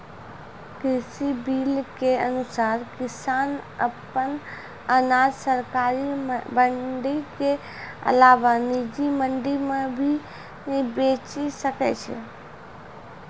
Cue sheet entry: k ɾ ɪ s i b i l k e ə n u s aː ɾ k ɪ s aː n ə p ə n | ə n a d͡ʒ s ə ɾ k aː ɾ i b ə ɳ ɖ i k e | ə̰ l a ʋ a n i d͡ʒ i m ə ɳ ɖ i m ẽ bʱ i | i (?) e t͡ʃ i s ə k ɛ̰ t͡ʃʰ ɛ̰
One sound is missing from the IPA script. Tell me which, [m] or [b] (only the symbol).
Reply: b